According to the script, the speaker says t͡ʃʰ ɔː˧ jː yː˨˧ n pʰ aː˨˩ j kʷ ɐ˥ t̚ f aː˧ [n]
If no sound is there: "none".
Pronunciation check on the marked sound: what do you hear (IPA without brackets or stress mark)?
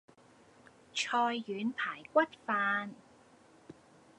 n